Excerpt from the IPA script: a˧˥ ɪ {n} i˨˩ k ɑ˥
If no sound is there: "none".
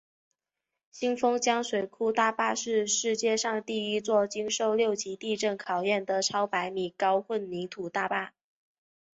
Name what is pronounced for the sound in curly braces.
m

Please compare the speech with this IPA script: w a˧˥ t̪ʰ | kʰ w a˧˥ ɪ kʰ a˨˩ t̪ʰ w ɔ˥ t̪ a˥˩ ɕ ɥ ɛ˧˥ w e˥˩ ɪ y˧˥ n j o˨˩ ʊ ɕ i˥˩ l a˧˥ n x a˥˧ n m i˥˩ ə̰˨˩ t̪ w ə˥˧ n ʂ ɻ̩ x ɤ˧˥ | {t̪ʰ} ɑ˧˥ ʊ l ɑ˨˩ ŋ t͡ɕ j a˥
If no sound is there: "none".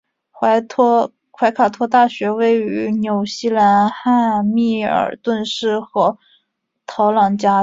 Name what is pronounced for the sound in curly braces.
t̪ʰ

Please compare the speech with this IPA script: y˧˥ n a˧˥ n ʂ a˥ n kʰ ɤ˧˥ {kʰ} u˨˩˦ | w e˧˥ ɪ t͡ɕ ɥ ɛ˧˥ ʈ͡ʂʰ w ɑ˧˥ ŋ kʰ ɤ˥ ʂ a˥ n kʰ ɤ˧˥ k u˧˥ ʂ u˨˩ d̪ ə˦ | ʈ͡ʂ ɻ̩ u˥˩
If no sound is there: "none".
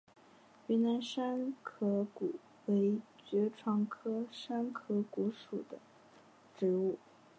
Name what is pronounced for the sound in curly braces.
k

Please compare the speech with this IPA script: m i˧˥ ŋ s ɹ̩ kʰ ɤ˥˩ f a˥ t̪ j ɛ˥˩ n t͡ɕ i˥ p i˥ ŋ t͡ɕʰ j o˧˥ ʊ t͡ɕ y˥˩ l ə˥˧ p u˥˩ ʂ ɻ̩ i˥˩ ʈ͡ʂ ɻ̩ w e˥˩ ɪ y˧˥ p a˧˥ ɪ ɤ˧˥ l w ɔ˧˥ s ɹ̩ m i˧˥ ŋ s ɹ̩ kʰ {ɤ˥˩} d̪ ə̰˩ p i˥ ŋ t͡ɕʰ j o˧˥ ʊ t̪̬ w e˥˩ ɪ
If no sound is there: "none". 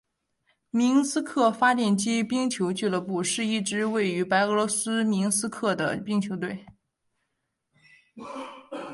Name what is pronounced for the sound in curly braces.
ɤ˥˩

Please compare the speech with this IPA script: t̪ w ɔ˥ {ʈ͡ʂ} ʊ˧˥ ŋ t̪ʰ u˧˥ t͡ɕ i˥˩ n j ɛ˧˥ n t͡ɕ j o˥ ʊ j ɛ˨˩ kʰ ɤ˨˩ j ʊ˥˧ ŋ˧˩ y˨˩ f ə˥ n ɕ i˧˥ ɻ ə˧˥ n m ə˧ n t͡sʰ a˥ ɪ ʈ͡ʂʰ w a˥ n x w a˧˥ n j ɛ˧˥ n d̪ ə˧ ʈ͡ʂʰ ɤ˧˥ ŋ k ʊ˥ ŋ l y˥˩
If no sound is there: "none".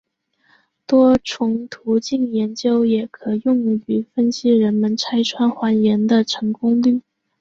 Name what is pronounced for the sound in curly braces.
ʈ͡ʂʰ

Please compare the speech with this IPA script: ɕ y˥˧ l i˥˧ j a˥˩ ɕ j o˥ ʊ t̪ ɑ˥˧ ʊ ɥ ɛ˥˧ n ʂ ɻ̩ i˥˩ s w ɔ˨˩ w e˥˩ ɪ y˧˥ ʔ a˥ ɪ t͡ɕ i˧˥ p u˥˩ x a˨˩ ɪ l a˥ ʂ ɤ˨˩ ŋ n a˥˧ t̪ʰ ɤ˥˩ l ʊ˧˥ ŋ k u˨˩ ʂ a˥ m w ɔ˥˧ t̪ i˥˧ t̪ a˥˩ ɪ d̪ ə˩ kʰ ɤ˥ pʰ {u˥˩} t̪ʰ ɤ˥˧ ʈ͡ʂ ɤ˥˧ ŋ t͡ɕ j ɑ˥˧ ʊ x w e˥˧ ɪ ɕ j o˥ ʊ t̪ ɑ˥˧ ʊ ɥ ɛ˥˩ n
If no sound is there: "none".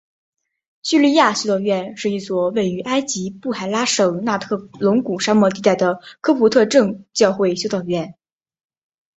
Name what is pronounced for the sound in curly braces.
u˧˥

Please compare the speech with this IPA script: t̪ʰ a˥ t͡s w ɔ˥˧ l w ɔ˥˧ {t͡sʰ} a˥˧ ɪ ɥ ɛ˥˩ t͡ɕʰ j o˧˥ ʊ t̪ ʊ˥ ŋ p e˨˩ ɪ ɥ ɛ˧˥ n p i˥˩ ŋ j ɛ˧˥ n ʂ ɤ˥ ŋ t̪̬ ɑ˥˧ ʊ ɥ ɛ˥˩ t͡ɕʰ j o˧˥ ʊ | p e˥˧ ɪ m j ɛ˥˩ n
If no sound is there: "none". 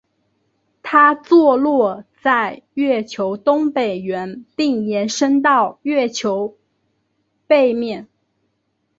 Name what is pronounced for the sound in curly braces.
t͡s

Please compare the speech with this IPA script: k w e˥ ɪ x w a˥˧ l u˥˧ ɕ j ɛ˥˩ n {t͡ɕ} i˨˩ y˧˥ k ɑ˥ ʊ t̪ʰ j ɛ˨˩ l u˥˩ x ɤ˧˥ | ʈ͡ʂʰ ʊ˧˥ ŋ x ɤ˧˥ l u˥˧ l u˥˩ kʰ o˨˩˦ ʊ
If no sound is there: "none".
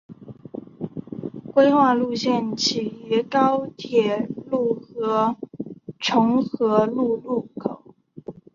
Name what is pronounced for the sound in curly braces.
t͡ɕʰ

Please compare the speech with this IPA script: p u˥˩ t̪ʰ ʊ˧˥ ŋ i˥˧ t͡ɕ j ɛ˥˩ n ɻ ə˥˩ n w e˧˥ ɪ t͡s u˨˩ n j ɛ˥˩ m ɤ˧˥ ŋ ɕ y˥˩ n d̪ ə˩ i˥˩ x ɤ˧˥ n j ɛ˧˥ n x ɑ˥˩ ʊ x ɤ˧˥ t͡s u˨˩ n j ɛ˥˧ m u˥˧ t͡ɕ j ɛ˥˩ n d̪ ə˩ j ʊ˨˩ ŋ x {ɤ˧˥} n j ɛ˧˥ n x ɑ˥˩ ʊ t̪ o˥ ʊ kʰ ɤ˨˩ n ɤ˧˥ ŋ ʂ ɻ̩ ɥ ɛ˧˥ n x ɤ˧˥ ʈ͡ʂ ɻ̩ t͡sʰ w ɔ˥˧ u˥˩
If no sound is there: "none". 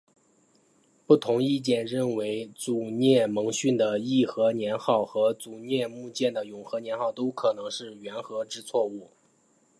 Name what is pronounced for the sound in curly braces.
ɤ˧˥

